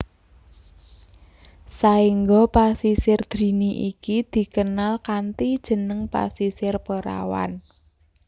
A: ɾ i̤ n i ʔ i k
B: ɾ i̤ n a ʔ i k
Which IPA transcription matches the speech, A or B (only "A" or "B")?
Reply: A